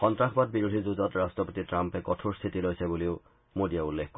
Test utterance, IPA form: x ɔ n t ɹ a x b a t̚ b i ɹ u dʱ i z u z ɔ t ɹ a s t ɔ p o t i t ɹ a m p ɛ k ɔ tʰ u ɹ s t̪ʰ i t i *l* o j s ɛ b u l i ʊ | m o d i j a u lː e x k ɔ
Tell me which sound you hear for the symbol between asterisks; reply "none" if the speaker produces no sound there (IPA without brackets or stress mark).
l